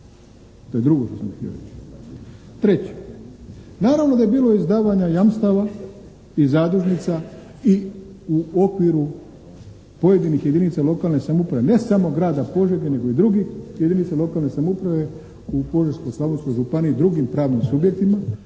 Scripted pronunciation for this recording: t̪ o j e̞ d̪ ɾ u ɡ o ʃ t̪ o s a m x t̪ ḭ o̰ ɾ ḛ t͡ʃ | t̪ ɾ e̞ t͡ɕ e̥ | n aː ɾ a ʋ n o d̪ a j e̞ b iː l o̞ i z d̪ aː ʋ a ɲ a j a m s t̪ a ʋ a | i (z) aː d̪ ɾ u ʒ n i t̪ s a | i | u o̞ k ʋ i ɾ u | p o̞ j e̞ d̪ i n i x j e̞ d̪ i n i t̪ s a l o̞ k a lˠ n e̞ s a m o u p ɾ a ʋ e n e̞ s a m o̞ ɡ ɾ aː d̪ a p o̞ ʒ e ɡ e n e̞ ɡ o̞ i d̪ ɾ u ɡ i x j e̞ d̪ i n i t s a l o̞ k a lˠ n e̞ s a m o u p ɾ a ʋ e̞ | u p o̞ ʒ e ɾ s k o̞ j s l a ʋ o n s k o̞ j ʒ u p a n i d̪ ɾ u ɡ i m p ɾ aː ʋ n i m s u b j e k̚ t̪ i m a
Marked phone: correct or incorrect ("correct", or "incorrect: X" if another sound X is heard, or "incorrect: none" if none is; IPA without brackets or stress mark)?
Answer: correct